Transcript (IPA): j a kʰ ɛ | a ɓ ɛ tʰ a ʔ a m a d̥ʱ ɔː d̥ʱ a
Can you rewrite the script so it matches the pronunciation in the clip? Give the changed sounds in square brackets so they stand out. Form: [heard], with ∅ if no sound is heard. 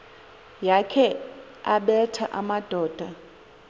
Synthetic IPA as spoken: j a kʰ ɛ | a ɓ ɛ tʰ a ʔ a m a d̥ʱ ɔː d̥ʱ a